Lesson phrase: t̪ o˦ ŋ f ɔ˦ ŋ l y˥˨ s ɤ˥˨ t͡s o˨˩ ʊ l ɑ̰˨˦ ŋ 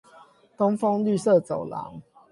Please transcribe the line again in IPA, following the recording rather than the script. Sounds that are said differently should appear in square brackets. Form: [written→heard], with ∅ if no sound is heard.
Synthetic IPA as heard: t̪ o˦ ŋ f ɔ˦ ŋ l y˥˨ s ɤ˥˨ t͡s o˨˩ ʊ l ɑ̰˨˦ ŋ